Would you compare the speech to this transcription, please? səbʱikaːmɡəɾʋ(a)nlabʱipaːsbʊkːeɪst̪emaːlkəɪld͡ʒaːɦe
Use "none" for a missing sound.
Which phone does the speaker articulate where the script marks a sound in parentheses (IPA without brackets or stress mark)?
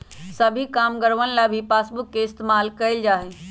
ə